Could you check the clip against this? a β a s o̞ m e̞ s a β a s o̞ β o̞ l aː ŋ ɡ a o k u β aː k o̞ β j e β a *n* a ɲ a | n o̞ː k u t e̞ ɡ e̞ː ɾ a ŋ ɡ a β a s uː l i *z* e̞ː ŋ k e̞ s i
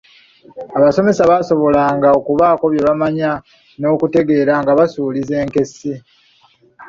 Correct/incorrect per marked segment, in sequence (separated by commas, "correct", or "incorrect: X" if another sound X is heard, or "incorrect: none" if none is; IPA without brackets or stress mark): incorrect: m, correct